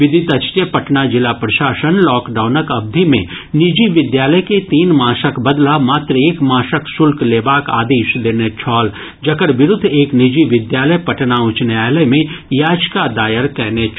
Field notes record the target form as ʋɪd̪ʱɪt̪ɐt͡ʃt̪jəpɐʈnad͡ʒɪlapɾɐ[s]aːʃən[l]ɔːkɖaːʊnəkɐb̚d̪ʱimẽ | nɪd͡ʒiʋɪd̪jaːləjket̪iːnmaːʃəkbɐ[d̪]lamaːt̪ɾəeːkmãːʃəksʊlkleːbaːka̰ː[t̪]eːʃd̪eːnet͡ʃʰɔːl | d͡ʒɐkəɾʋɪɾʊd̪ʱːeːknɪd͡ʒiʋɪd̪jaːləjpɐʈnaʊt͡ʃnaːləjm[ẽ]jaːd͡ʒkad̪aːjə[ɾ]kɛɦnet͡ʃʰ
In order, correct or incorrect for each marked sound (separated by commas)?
incorrect, correct, correct, incorrect, correct, correct